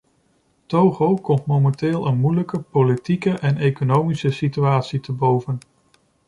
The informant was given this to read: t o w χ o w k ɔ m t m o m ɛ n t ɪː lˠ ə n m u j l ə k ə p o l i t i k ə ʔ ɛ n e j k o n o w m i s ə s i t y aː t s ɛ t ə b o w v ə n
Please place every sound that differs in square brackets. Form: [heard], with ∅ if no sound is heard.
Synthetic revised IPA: t o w χ o w k ɔ m t m o m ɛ n t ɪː lˠ ə n m u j l ə k ə p o l i t i k ə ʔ ɛ n e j k o n o w m i s ə s i t y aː t s [i] t ə b o w v ə n